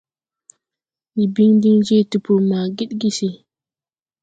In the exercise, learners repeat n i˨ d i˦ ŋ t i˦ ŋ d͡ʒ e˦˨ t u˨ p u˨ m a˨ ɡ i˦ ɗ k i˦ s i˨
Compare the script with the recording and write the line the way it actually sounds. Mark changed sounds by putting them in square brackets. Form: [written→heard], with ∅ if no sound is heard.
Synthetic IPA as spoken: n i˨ [d→b] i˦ ŋ [t→d] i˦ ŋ d͡ʒ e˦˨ t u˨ p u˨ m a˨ ɡ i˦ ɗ [k→ɡ] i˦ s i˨